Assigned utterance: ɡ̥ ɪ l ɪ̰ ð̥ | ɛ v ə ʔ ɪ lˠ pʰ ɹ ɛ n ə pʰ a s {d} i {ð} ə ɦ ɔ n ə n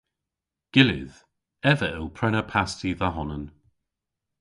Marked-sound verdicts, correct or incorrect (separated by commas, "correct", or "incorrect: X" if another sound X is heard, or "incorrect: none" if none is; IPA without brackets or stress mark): incorrect: t, correct